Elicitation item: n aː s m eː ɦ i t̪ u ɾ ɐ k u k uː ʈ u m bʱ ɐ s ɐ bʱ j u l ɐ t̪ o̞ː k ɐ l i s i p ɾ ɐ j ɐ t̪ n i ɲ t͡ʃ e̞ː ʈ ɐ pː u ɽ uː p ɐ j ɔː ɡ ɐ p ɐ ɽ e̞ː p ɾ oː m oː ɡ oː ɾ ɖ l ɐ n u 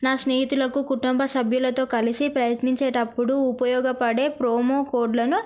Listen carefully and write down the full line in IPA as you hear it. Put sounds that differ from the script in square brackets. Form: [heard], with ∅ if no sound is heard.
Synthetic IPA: n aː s [n] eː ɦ i t̪ u [l] ɐ k u k [u] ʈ u m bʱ ɐ s ɐ bʱ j u l ɐ t̪ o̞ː k ɐ l i s i p ɾ ɐ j ɐ t̪ n i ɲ t͡ʃ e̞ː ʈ ɐ pː u ɽ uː p ɐ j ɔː ɡ ɐ p ɐ ɽ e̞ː p ɾ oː m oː [k] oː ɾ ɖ l ɐ n u